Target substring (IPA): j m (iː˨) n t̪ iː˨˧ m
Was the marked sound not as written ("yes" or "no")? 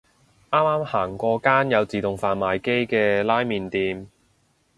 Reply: no